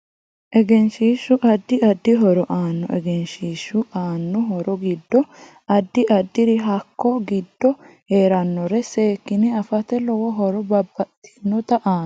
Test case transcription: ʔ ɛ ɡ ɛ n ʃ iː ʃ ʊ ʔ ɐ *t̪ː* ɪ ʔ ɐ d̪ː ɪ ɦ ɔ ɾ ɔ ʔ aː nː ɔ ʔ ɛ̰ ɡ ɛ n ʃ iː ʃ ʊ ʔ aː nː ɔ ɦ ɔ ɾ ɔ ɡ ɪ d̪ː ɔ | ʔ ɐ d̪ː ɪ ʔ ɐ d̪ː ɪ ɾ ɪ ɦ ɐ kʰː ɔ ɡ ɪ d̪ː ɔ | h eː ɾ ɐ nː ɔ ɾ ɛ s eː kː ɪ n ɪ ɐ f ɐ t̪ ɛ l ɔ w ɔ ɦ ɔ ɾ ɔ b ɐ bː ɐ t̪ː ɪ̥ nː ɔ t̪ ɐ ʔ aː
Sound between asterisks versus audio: incorrect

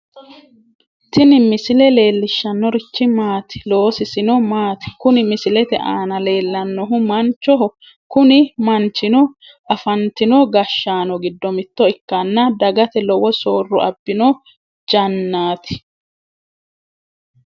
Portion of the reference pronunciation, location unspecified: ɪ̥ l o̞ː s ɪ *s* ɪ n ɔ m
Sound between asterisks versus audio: correct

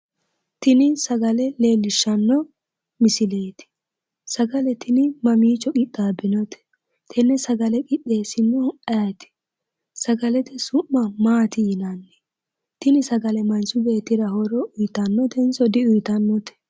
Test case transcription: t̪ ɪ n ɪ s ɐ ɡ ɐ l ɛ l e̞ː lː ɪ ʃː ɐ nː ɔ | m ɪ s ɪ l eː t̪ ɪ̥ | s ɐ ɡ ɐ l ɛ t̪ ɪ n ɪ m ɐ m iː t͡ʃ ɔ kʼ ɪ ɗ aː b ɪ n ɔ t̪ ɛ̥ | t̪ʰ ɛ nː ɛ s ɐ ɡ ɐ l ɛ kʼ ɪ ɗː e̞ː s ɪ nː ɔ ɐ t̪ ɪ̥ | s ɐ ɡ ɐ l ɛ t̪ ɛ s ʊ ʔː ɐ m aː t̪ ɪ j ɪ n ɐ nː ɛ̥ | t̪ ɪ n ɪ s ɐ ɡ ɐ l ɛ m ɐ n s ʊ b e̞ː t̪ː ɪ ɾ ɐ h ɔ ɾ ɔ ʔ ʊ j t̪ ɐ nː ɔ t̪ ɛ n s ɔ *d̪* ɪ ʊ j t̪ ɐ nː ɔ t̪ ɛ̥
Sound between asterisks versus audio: correct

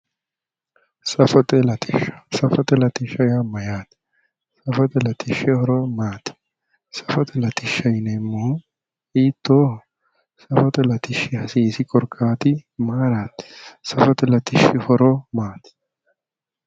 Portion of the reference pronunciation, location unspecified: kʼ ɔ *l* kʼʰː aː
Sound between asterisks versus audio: incorrect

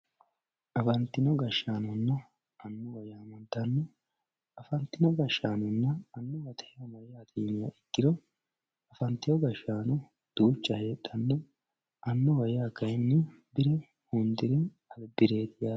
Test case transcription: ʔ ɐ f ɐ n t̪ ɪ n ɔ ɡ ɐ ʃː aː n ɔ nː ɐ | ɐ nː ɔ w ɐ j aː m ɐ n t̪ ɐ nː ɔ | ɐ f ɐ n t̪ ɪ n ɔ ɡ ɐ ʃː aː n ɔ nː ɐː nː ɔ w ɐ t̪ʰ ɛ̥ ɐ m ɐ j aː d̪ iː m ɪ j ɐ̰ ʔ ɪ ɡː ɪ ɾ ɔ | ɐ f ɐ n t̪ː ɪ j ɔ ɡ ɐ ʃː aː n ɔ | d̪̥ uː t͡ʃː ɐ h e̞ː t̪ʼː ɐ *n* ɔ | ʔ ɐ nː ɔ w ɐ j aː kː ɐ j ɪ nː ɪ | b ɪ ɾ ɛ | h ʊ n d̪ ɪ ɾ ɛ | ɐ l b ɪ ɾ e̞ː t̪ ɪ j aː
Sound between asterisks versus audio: incorrect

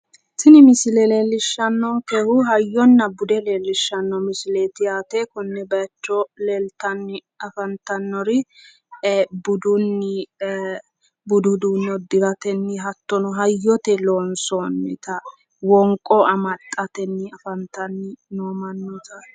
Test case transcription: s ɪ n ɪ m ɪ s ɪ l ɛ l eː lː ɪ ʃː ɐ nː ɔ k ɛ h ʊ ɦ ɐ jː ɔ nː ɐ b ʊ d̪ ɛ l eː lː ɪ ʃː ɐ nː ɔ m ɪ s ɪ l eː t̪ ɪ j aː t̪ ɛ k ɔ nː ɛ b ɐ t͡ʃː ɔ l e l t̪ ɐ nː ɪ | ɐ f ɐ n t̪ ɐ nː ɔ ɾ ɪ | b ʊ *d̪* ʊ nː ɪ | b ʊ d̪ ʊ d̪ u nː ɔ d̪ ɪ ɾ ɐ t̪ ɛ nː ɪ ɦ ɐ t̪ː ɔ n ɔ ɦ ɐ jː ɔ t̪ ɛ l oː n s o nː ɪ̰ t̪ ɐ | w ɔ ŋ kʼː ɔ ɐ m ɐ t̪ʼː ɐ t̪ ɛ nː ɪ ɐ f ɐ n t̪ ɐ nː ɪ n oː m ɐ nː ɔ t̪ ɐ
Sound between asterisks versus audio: correct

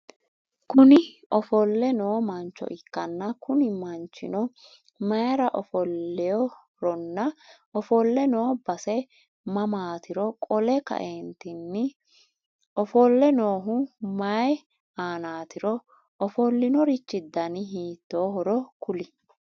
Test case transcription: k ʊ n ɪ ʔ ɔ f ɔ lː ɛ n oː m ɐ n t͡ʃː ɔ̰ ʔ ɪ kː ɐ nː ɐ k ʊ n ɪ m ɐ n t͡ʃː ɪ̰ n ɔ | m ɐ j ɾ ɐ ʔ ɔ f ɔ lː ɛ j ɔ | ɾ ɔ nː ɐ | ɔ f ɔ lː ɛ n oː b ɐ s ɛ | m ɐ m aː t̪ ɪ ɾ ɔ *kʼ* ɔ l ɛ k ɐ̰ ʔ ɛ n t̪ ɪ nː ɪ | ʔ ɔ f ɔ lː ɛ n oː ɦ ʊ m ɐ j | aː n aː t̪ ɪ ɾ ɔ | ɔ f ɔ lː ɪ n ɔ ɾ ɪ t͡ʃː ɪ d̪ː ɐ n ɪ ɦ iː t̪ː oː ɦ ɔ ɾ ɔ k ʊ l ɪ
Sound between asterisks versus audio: correct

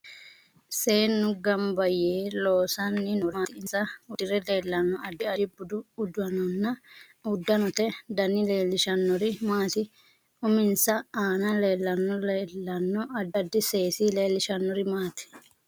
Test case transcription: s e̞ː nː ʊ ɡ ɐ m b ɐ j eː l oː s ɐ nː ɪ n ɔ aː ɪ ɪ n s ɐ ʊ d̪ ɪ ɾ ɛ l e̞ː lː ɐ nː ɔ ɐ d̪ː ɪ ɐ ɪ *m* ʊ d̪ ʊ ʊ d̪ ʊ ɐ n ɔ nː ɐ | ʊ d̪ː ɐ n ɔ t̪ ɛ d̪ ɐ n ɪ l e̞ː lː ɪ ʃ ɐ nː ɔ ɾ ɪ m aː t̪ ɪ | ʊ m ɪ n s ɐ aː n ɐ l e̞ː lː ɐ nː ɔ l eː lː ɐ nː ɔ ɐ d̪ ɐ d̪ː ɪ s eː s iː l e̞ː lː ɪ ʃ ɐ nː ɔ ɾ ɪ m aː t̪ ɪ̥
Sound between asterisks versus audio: incorrect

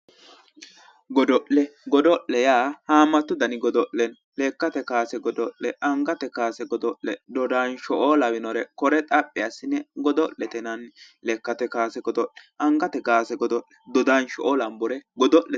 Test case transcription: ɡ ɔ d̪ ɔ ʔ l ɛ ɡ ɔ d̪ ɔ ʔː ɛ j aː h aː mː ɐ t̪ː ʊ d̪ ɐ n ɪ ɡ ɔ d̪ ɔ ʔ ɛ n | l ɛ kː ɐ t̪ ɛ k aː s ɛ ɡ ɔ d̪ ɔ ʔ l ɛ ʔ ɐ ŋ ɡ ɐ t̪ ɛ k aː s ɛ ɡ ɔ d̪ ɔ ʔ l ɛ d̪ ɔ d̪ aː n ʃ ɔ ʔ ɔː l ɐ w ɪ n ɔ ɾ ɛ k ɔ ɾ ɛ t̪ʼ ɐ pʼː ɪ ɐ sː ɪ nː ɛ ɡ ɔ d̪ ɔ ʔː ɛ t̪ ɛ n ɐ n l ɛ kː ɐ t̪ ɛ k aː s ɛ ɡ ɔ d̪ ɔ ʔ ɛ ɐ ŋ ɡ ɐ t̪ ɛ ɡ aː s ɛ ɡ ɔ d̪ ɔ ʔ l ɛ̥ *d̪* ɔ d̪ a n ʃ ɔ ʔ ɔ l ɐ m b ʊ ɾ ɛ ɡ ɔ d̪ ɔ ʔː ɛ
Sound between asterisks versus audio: correct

